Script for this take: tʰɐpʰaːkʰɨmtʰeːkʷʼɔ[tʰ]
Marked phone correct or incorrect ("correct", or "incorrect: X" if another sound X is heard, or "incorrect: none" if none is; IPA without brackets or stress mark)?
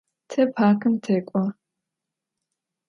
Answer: incorrect: none